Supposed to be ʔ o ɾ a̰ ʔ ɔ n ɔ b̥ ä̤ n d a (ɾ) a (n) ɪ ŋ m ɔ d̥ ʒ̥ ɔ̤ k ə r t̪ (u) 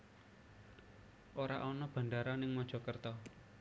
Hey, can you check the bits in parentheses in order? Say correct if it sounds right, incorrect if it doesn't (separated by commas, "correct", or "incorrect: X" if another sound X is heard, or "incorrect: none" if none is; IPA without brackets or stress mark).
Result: correct, correct, incorrect: ɔ